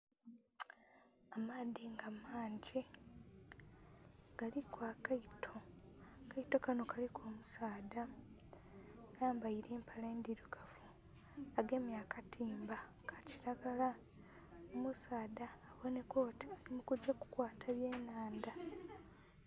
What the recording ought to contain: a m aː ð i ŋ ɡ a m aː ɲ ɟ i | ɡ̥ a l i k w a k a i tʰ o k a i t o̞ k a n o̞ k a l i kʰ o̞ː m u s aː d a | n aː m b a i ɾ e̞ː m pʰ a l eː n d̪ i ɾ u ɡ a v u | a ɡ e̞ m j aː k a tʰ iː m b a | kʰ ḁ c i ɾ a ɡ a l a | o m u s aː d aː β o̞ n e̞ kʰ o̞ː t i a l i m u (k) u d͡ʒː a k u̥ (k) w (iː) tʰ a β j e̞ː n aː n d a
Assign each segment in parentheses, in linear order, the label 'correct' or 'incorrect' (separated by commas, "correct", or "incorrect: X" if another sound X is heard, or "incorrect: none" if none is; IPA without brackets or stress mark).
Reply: correct, correct, incorrect: aː